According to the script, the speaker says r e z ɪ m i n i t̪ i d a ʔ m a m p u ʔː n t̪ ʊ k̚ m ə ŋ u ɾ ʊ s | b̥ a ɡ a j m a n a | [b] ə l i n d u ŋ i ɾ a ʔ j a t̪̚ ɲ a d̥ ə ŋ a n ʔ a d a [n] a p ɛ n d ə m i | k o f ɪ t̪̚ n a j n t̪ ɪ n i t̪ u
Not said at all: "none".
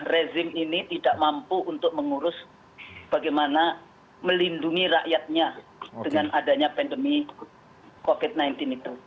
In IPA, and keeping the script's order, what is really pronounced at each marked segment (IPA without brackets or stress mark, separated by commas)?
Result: m, ɲ